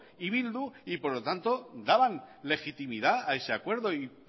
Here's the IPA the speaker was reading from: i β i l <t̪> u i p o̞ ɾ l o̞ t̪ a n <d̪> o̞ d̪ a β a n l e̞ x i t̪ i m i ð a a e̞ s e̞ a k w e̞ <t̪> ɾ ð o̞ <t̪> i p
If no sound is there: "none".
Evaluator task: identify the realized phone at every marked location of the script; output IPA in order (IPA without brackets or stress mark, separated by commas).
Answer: d̪, t̪, none, none